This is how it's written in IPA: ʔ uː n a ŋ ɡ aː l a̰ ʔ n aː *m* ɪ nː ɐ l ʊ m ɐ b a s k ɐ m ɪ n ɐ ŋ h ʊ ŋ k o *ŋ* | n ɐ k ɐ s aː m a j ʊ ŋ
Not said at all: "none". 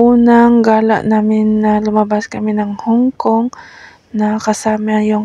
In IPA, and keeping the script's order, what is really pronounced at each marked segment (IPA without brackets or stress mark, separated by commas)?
m, ŋ